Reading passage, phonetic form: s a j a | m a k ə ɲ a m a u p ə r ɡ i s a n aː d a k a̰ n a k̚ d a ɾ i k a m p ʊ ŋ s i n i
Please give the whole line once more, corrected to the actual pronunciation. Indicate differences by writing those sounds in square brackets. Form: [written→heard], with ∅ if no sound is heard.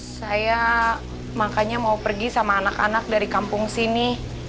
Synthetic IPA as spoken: s a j a | m a k [ə→a] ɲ a m a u p ə r ɡ i s a [n→m] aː [d→n] a k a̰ n a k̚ d a ɾ i k a m p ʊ ŋ s i n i